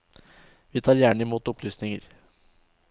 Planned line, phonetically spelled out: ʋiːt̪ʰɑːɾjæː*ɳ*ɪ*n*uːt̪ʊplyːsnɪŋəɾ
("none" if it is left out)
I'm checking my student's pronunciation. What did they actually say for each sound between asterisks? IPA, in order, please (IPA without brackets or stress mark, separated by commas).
ɳ, m